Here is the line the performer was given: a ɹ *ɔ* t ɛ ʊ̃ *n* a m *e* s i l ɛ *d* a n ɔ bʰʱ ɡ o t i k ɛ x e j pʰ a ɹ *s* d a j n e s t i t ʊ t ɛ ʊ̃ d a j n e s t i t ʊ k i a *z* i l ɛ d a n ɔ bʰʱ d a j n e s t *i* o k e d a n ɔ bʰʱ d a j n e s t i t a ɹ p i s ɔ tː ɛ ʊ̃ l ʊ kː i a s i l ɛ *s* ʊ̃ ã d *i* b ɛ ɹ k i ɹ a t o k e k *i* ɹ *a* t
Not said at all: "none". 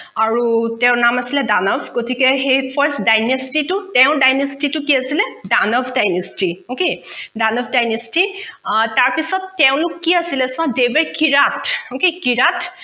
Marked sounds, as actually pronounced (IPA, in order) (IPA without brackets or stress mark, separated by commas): u, n, a, d, s, s, i, s, e, i, a